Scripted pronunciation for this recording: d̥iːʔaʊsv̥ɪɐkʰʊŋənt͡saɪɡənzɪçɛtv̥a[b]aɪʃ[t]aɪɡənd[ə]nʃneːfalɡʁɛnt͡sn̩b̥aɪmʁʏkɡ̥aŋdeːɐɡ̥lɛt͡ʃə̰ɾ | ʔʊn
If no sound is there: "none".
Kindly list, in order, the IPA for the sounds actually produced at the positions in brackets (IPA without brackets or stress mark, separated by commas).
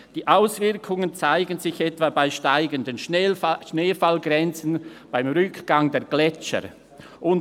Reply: b, t, ə